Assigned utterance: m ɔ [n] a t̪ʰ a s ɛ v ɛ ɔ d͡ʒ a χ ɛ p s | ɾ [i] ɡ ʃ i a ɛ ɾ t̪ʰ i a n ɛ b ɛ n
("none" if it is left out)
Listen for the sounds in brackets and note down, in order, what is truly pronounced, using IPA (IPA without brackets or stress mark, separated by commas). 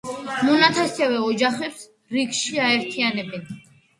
n, i